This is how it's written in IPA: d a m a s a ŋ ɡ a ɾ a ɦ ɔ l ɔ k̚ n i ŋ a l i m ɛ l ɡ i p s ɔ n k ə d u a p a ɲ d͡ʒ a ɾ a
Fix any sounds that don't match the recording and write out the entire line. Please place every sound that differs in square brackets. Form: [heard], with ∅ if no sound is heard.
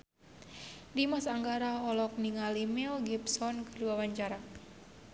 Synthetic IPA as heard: d [i] m a s a ŋ ɡ a ɾ a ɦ ɔ l ɔ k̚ n i ŋ a l i m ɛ l ɡ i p s ɔ n k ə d u a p a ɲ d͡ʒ a ɾ a

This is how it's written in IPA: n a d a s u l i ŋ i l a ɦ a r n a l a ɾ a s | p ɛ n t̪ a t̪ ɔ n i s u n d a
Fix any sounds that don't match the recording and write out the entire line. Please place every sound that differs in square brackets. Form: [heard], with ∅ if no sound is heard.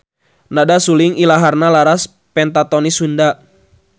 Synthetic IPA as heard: n a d a s u l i ŋ i l a ɦ a r n a l a ɾ a s | p ɛ n t̪ a t̪ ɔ n i s u n d a

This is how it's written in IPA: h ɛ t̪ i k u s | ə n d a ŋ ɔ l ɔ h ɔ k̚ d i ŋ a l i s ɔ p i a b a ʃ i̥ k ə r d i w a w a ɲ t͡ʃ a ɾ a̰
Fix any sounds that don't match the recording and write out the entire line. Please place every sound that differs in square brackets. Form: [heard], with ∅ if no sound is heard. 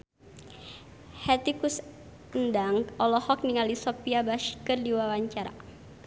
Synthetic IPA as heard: h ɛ t̪ i k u s | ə n d a ŋ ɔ l ɔ h ɔ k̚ [n] i ŋ a l i s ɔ p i a b a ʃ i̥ k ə r d i w a w a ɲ t͡ʃ a ɾ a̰

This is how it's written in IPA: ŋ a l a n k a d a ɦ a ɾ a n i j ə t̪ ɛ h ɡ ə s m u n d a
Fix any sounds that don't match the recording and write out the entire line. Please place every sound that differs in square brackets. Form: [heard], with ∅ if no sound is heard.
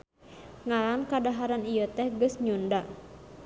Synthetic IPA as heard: ŋ a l a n k a d a ɦ a ɾ a n i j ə t̪ ɛ h ɡ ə s [ɲ] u n d a

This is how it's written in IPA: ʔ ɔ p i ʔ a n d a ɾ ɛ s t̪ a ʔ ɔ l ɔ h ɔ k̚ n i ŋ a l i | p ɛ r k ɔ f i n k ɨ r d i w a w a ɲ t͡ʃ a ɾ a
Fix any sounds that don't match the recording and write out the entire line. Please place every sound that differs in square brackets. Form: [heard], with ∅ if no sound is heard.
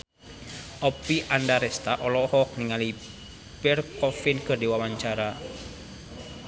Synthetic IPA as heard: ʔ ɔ p i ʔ a n d a ɾ ɛ s t̪ a ʔ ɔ l ɔ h ɔ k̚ n i ŋ a l i | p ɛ r k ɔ f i n k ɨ r d i w a w a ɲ t͡ʃ a ɾ a

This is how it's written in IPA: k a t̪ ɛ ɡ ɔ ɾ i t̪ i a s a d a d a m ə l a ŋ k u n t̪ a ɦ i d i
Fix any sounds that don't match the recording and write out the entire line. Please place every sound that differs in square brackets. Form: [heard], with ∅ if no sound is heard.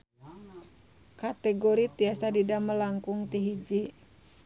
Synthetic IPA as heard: k a t̪ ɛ ɡ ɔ ɾ i t̪ i a s a d [i] d a m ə l a ŋ k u [ŋ] t̪ [i] ɦ i [d͡ʒ] i

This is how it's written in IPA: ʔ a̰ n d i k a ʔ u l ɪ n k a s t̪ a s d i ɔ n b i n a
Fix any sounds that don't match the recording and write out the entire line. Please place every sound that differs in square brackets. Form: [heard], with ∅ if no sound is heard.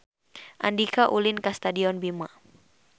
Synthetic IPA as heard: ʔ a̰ n d i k a ʔ u l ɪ n k a s t̪ a [∅] d i ɔ n b i [m] a

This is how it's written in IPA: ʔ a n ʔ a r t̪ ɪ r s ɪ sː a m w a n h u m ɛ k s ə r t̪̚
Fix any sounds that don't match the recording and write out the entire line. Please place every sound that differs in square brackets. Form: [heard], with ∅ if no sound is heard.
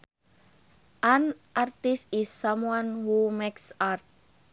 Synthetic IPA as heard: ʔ a n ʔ a r t̪ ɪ [∅] s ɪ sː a m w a n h u m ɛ k s [a] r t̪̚

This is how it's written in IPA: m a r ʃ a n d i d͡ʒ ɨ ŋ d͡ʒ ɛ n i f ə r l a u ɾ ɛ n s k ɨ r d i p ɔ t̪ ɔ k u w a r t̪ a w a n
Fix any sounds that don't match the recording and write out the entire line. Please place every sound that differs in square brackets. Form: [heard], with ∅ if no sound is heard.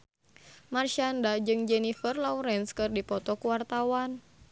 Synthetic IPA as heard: m a r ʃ a n d [a] d͡ʒ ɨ ŋ d͡ʒ ɛ n i f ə r l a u ɾ ɛ n s k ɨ r d i p ɔ t̪ ɔ k u w a r t̪ a w a n

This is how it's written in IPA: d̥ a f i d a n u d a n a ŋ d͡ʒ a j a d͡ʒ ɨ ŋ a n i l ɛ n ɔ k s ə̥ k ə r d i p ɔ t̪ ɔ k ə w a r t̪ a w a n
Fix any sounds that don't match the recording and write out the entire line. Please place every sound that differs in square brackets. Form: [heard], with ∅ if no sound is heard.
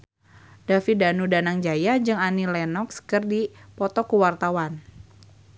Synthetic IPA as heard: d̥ a f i d a n u d a n a ŋ d͡ʒ a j a d͡ʒ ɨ ŋ a n i l ɛ n ɔ k s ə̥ k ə r d i p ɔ t̪ ɔ k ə w a r t̪ a w a n

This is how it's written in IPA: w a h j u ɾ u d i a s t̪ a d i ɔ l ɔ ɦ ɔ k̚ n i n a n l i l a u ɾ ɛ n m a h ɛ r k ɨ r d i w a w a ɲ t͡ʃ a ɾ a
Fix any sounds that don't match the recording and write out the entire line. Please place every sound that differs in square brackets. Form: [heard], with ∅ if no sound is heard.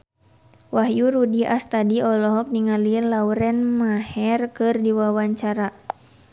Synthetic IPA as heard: w a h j u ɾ u d i a s t̪ a d i ɔ l ɔ ɦ ɔ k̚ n i [ŋ] a [∅] l i l a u ɾ ɛ n m a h ɛ r k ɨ r d i w a w a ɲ t͡ʃ a ɾ a

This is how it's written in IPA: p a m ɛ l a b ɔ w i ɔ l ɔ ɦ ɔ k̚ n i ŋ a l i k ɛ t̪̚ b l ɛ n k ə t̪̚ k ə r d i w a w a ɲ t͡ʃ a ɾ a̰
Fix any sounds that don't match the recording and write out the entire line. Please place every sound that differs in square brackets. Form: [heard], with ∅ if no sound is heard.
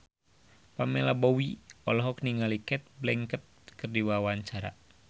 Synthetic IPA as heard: p a m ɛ l a b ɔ w i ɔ l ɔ ɦ ɔ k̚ n i ŋ a l i k ɛ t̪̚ b l ɛ [ŋ] k ə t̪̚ k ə r d i w a w a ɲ t͡ʃ a ɾ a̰

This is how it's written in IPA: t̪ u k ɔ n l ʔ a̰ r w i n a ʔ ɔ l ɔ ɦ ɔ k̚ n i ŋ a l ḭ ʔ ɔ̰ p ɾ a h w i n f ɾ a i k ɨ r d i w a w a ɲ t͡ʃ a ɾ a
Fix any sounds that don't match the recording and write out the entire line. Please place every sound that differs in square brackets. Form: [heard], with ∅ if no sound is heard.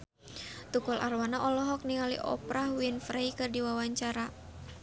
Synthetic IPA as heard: t̪ u k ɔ [∅] l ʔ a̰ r w [a] n a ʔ ɔ l ɔ ɦ ɔ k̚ n i ŋ a l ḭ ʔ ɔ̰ p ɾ a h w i n f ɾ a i k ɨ r d i w a w a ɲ t͡ʃ a ɾ a

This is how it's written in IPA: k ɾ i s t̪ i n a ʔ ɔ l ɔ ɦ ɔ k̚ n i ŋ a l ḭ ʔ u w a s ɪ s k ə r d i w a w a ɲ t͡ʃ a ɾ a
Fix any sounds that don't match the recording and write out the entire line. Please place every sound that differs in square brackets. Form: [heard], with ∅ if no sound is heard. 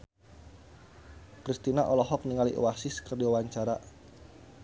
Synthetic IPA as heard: k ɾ i s t̪ i n a ʔ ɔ l ɔ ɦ ɔ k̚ n i ŋ a l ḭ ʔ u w a s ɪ s k ə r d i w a w a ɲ t͡ʃ a ɾ a

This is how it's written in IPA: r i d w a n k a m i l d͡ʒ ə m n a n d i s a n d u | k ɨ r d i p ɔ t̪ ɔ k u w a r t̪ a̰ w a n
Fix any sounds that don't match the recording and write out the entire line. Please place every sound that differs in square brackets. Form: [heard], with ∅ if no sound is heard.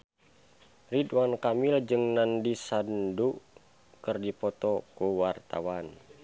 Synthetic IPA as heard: r i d w a n k a m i l d͡ʒ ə [ŋ] n a n d i s a n d u | k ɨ r d i p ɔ t̪ ɔ k u w a r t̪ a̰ w a n

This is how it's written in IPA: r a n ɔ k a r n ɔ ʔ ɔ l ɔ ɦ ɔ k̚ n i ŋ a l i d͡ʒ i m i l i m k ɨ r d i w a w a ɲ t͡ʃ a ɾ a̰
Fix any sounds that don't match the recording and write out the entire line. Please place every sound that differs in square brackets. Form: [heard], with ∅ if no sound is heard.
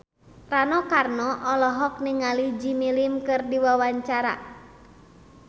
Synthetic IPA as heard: r a n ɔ k a r n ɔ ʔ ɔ l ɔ ɦ ɔ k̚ n i ŋ a l i d͡ʒ i m i l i m k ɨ r d i w a w a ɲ t͡ʃ a ɾ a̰

